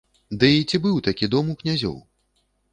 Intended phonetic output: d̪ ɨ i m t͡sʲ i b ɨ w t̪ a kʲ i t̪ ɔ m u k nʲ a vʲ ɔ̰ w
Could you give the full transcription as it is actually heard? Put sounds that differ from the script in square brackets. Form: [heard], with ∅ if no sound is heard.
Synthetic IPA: d̪ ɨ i [∅] t͡sʲ i b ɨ w t̪ a kʲ i [d̪] ɔ m u k nʲ a [zʲ] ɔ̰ w